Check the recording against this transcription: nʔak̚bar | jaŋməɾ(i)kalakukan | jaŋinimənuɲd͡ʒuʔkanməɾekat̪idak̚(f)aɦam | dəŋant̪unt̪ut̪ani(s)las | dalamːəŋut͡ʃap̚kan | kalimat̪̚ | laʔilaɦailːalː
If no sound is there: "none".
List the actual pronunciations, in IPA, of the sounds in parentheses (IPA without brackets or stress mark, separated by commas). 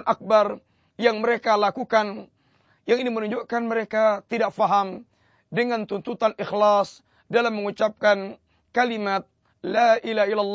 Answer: e, f, x